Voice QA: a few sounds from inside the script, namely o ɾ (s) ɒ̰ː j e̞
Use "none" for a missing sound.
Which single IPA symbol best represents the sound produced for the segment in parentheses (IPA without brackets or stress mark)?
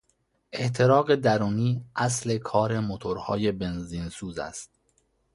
h